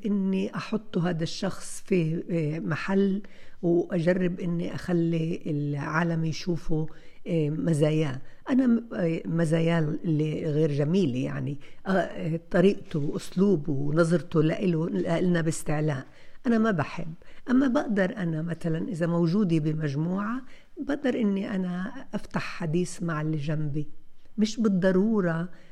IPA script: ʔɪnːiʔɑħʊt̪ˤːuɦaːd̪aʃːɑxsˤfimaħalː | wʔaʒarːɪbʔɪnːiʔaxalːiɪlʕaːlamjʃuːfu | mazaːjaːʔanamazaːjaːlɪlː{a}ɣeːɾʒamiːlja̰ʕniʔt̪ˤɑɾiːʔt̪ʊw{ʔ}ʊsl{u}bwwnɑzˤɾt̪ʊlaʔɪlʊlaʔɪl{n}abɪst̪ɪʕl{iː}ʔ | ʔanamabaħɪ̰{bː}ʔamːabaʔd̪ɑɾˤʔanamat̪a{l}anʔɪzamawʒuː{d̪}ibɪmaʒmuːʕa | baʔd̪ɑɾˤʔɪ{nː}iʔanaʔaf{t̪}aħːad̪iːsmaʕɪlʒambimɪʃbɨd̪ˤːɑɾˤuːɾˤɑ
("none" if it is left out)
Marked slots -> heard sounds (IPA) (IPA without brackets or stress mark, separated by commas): i, ʔ, uː, n, aː, bː, l, d̪, nː, t̪